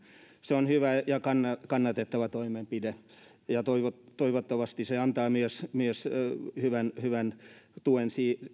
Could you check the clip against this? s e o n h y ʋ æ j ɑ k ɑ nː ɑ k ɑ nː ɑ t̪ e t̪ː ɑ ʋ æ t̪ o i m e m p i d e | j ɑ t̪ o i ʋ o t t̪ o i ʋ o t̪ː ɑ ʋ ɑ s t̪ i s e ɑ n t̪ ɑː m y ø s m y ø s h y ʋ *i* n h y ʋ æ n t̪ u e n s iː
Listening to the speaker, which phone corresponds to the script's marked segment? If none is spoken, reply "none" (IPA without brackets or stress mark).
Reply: æ